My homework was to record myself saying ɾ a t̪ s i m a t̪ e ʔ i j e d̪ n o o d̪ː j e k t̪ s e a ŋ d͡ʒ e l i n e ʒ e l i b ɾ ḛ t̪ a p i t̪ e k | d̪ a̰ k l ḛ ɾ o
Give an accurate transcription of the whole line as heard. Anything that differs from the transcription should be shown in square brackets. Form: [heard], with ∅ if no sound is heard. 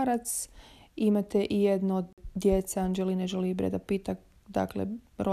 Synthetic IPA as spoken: ɾ a t̪ s i m a t̪ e ʔ i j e d̪ n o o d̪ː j e [∅] t̪ s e a [n] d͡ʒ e l i n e ʒ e l i b ɾ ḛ [d̪] a p i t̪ [a] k | d̪ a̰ k l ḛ ɾ o